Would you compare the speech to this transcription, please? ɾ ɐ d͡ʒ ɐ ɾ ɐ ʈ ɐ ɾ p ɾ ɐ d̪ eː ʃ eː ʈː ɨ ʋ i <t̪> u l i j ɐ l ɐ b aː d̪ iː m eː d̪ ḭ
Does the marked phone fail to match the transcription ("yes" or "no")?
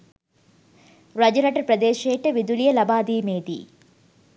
yes